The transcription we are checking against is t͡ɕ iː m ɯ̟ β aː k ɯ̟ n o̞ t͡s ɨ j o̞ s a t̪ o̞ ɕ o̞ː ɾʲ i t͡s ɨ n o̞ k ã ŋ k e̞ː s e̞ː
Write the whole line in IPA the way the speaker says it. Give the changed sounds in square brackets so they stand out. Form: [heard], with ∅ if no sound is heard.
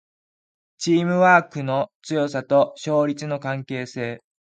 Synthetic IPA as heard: t͡ɕ iː m ɯ̟ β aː k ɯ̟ n o̞ t͡s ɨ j o̞ s a t̪ o̞ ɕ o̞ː ɾʲ i t͡s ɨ n o̞ k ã ŋ k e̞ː s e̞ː